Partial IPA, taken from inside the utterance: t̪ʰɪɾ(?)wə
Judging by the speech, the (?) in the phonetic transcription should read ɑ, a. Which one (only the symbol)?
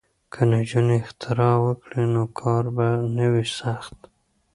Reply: ɑ